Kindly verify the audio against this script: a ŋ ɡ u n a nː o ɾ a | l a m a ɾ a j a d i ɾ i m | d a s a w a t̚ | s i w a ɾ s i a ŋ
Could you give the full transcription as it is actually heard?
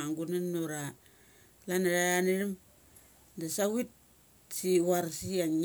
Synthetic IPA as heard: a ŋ ɡ u n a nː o ɾ a | l a n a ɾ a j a n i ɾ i m | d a s a w i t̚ | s i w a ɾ s i a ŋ